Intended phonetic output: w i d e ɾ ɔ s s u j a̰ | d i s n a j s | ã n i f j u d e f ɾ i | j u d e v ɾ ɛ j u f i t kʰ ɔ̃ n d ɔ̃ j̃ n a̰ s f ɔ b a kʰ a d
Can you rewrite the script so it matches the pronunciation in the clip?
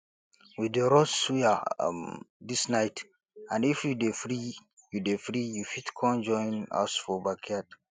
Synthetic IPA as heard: w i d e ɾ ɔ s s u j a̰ | d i s n a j t | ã n i f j u d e f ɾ i | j u d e f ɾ i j u f i t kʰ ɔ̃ n d͡ʒ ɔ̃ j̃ n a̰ s f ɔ b a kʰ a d